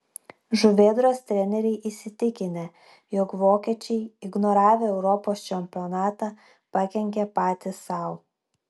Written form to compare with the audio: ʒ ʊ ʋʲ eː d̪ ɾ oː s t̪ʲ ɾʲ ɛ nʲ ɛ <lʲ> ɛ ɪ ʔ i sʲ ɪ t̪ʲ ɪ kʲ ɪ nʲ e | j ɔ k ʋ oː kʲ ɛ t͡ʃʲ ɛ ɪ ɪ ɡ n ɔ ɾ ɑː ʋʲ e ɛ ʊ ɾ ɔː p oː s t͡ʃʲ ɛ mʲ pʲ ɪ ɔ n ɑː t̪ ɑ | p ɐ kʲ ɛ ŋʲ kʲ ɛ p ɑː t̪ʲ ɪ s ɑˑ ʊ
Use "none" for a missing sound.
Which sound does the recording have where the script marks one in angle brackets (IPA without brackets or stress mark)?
ɾʲ